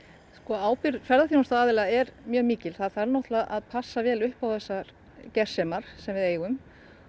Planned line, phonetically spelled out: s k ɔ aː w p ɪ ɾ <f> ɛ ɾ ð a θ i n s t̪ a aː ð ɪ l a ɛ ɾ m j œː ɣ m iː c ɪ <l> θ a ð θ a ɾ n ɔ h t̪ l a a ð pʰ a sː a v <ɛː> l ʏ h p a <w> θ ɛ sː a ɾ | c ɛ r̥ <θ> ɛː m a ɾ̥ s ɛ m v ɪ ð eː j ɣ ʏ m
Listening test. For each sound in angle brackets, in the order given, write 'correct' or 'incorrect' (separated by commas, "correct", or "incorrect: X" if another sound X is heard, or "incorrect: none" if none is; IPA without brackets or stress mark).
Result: correct, correct, correct, correct, incorrect: s